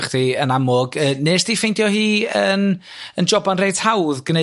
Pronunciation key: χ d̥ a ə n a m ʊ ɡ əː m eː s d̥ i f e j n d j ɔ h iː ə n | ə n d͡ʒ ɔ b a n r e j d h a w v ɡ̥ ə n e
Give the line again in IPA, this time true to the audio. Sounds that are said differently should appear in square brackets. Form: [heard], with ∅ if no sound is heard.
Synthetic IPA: χ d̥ [i] ə n a m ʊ ɡ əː [n] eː s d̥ i f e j n d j ɔ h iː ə n | ə n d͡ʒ ɔ b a n r e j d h a w [ð] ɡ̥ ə n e